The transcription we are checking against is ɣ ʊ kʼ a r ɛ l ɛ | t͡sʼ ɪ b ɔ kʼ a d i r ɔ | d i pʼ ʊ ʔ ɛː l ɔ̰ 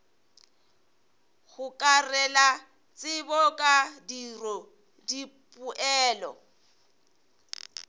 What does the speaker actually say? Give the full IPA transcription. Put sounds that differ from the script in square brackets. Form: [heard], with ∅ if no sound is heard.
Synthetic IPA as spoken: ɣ ʊ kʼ a r ɛ l [a] | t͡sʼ ɪ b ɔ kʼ a d i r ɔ | d i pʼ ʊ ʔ ɛː l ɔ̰

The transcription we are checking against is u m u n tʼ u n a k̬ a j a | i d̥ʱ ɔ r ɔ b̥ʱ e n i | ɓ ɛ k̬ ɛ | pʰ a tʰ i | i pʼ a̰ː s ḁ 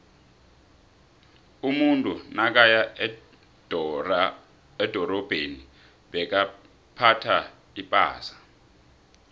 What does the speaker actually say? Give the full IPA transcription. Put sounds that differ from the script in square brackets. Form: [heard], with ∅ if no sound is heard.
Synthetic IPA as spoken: u m u n tʼ u n a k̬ a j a | [ɛ] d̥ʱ ɔ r ɔ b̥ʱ e n i | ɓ ɛ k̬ [a] | pʰ a tʰ [a] | i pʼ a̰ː s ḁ

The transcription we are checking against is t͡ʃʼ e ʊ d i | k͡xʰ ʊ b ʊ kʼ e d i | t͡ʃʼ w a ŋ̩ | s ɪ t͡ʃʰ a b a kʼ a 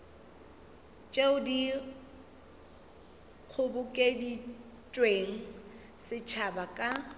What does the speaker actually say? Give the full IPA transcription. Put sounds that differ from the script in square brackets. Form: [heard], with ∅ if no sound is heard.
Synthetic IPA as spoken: t͡ʃʼ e ʊ d i | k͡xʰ ʊ b ʊ kʼ e d i | t͡ʃʼ w [e] ŋ̩ | s ɪ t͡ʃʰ a b a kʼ a

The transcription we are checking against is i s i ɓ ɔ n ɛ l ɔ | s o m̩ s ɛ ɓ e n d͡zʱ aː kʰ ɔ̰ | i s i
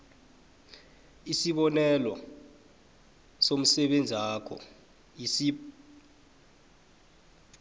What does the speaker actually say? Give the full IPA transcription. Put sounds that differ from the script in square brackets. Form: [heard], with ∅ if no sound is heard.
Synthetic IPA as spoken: i s i ɓ ɔ n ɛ l ɔ | s o m̩ s ɛ ɓ e n d͡zʱ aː kʰ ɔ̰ | i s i

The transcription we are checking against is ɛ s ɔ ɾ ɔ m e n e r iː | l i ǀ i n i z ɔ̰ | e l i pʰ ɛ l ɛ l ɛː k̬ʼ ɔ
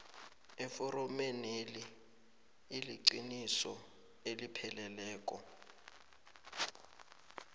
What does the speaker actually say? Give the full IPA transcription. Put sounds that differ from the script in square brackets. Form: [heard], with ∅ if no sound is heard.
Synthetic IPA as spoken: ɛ [f] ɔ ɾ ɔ m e n e [l] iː | l i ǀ i n i [s] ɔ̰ | e l i pʰ ɛ l ɛ l ɛː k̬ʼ ɔ

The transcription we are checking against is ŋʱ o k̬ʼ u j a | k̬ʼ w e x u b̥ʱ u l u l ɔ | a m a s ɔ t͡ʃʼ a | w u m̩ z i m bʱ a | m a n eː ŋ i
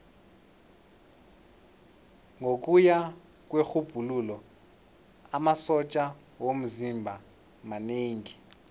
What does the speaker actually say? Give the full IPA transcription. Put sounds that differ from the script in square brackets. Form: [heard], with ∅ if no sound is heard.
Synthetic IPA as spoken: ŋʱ o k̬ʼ u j a | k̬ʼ w e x u b̥ʱ u l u l ɔ | a m a s ɔ t͡ʃʼ a | w [o] m̩ z i m bʱ a | m a n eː ŋ i

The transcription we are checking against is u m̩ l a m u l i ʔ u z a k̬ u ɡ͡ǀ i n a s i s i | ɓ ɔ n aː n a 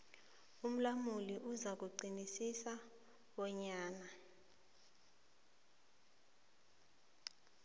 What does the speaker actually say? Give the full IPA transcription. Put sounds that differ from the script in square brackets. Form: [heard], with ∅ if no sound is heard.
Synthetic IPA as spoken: u m̩ l a m u l i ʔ u z a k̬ u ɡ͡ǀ i n [i] s i s [a] | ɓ ɔ [ɲ] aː n a

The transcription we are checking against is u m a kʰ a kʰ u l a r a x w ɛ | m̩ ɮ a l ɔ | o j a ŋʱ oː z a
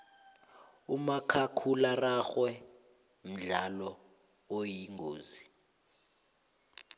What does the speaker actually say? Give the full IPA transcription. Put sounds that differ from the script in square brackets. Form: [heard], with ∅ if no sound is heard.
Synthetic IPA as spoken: u m a kʰ a kʰ u l a r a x w ɛ | m̩ ɮ a l ɔ | o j [i] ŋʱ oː z [i]

